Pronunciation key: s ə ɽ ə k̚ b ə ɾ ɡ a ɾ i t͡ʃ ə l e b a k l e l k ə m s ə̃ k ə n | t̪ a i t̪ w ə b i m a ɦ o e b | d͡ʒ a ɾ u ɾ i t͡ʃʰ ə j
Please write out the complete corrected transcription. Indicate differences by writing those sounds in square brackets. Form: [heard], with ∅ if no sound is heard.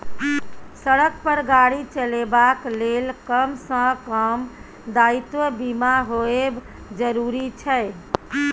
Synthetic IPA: s ə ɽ ə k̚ [p] ə ɾ ɡ a [ɽ] i t͡ʃ ə l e b a k l e l k ə m s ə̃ k ə [m] | [d̪] a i t̪ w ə b i m a ɦ o e b | d͡ʒ [ə] ɾ u ɾ i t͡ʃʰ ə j